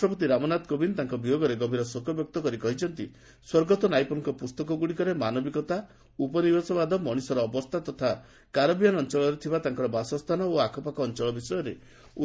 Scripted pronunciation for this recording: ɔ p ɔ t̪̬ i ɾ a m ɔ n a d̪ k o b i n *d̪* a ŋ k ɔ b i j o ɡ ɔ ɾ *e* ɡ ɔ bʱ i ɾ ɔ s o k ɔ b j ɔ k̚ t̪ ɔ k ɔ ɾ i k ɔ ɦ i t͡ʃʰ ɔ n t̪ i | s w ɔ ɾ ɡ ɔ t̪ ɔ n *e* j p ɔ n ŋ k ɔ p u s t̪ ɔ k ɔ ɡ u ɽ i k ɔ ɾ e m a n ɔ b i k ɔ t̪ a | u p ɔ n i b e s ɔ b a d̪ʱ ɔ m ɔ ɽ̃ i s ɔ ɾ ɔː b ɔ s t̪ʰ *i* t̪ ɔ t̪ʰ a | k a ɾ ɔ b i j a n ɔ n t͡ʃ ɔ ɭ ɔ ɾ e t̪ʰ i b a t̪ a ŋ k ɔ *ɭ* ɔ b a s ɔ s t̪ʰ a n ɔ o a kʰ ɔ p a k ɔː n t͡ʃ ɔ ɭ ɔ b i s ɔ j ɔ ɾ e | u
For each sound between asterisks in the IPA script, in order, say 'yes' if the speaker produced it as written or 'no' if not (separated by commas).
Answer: no, yes, no, no, no